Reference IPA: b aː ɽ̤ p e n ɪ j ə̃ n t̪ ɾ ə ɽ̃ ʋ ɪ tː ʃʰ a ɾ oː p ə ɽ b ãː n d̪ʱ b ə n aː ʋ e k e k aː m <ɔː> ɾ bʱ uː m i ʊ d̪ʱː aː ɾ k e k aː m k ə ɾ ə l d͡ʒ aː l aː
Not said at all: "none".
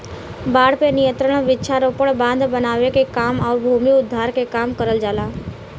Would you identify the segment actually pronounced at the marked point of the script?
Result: ɔː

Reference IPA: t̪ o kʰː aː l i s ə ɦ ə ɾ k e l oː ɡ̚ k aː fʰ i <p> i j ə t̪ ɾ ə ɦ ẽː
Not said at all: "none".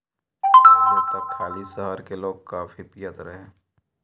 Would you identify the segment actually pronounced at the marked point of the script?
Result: p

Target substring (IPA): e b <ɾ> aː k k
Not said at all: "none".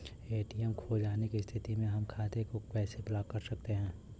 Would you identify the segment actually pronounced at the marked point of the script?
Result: l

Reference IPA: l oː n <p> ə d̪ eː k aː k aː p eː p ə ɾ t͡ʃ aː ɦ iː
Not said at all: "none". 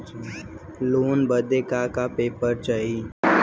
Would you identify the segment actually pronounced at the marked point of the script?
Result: b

